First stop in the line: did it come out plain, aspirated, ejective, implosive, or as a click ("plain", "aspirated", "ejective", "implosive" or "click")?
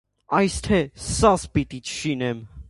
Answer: aspirated